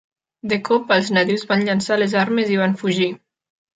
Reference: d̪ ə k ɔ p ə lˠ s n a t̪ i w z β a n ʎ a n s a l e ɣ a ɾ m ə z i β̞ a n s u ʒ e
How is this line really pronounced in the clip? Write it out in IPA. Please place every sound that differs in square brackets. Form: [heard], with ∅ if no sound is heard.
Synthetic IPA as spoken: d̪ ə k ɔ p ə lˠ [z] n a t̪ i w z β a n ʎ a n s a l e [z] a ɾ m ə z i β̞ a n [f] u ʒ [i]